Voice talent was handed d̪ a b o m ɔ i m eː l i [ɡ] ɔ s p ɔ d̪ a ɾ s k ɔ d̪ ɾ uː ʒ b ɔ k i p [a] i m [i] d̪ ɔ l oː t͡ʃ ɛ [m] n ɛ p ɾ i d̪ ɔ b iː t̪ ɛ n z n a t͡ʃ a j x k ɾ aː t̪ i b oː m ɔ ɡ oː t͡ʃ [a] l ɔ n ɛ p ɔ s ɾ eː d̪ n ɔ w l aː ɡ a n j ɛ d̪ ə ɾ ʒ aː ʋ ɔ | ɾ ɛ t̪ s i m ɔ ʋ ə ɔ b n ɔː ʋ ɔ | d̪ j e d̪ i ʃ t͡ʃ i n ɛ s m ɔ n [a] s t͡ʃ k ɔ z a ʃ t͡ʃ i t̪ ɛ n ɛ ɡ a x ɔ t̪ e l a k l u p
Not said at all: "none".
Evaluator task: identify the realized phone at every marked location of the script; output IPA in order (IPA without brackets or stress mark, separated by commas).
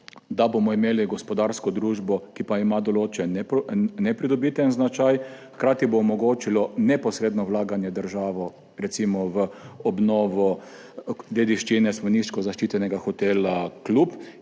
ɡ, a, a, n, i, i